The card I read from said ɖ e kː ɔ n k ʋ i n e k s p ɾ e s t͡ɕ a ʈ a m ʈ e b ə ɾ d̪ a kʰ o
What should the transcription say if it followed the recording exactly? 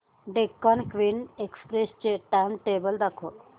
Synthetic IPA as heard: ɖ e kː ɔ n k ʋ i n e k s p ɾ e s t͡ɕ e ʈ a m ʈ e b ə l d̪ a kʰ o

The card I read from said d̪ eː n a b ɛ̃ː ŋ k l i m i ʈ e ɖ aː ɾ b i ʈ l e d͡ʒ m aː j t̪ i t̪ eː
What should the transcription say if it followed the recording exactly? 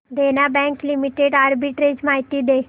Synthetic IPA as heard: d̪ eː n a b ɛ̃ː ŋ k l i m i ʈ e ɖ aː ɾ b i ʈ ɾ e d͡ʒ m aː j t̪ i d̪ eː

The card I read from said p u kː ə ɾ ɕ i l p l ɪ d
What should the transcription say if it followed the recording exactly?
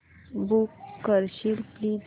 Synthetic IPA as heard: b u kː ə ɾ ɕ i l p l i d

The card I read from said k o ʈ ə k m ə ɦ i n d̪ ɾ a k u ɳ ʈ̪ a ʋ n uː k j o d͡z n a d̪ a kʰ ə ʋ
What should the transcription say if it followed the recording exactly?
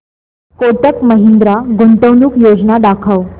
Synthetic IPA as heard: k o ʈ ə k m ə ɦ i n d̪ ɾ a ɡ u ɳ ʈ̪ ə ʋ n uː k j o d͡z n a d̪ a kʰ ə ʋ

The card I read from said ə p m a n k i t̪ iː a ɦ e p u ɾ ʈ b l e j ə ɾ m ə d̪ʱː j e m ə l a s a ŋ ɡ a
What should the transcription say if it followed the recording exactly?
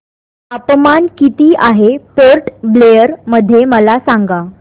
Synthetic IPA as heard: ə p m a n k i t̪ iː a ɦ e p o ɾ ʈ b l e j ə ɾ m ə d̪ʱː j e m ə l a s a ŋ ɡ a

